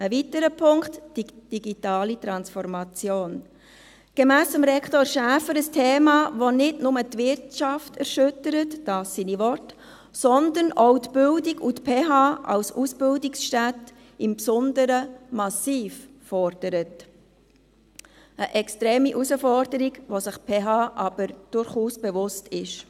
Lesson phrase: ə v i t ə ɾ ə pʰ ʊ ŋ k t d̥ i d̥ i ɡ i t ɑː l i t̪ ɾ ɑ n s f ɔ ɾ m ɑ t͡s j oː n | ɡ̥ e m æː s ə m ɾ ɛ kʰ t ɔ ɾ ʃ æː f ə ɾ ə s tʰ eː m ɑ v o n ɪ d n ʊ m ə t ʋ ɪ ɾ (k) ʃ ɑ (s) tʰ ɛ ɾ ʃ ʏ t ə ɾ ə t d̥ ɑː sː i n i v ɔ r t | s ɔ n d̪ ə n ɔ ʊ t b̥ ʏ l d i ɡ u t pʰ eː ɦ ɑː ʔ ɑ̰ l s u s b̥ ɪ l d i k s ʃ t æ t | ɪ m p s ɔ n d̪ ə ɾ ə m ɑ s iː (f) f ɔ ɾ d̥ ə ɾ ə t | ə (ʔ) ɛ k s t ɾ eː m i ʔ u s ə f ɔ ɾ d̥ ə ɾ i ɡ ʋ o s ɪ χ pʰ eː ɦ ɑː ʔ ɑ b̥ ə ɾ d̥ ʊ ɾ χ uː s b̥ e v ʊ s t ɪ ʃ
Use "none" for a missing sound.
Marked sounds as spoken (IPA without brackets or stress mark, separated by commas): t, f, f, ʔ